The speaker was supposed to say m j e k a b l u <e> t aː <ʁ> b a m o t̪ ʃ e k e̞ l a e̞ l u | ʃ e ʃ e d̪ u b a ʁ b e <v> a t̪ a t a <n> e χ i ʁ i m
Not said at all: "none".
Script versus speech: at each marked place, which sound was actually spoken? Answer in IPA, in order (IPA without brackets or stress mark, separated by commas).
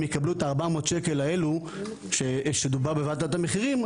e, ʁ, v, m